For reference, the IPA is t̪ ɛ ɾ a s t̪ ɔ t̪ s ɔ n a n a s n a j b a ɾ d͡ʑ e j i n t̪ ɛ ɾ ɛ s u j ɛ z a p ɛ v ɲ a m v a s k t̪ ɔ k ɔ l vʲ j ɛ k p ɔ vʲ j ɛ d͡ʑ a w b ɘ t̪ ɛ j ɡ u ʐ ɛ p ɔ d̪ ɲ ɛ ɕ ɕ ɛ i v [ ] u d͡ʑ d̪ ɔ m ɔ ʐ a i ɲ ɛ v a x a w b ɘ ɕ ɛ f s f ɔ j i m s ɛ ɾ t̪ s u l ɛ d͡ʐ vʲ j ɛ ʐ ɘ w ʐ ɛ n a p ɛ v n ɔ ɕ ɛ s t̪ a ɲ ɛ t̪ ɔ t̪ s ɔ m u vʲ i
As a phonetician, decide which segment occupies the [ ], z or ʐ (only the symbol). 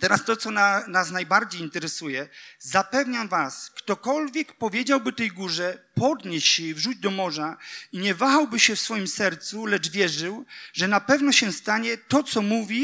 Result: ʐ